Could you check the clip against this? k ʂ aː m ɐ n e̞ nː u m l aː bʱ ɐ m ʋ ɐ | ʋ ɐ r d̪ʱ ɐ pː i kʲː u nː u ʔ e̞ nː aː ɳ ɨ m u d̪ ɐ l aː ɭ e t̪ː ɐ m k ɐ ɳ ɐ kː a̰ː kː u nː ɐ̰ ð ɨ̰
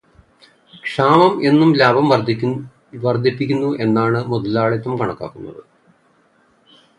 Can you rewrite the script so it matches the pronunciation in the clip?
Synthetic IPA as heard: k ʂ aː m ɐ m e̞ nː u m l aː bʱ ɐ m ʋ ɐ | ʋ ɐ r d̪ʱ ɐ pː i kʲː u nː u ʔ e̞ nː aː ɳ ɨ m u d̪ ɐ l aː ɭ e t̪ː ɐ m k ɐ ɳ ɐ kː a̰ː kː u nː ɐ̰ ð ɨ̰